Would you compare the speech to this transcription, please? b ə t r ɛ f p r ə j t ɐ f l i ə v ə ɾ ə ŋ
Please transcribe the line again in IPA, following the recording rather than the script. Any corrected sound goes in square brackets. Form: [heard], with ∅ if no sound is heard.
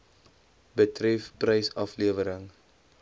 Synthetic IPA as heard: b ə t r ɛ f p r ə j [s] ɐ f l i ə v ə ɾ ə ŋ